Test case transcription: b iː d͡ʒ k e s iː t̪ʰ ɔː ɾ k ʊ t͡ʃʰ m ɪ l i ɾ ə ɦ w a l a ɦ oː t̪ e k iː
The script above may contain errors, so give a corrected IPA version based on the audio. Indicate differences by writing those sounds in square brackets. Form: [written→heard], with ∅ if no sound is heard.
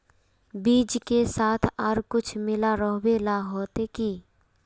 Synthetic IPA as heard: b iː d͡ʒ k e s [iː→aː] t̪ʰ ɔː ɾ k ʊ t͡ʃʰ m ɪ l [i→a] ɾ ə ɦ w [a→e] l a ɦ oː t̪ e k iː